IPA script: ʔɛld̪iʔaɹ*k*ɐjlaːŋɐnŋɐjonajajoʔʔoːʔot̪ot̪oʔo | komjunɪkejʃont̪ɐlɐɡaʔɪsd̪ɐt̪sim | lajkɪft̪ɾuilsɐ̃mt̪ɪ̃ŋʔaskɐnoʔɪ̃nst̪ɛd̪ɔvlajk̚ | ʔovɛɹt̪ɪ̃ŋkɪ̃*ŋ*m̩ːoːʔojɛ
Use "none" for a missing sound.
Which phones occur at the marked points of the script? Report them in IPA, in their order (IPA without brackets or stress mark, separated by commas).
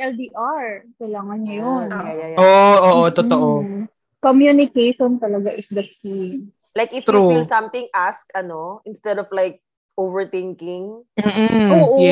k, ŋ